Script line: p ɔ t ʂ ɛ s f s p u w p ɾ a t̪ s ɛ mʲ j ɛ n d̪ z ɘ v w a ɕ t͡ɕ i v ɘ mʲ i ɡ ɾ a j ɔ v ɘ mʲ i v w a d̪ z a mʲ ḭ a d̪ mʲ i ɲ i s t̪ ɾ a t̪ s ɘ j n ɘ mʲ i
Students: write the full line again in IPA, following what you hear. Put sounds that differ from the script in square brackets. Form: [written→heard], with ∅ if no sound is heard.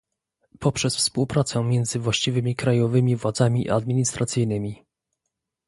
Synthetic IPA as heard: p ɔ [t→p] ʂ ɛ s f s p u w p ɾ a t̪ s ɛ mʲ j ɛ n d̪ z ɘ v w a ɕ t͡ɕ i v ɘ mʲ i [ɡ→k] ɾ a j ɔ v ɘ mʲ i v w a d̪ z a mʲ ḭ a d̪ mʲ i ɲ i s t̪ ɾ a t̪ s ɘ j n ɘ mʲ i